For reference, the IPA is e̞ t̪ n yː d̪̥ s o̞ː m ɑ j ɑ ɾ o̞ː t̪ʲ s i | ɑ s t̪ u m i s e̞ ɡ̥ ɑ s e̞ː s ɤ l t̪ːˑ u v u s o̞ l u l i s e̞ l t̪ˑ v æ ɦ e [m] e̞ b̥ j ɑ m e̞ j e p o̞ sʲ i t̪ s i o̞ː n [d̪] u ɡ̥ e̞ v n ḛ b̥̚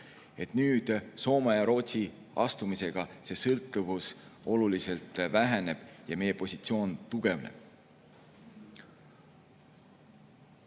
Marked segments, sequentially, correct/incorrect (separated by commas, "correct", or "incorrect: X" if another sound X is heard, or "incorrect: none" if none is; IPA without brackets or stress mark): incorrect: n, incorrect: t̪